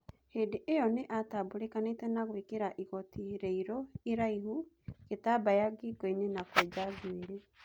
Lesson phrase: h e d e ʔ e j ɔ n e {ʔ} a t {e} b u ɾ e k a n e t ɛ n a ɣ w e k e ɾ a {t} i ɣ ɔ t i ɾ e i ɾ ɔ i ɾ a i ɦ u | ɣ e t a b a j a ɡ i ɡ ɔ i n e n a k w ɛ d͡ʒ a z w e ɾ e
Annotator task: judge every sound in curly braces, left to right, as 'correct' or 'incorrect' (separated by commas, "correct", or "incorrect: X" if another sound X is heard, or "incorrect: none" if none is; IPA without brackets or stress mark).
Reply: correct, incorrect: a, incorrect: ʔ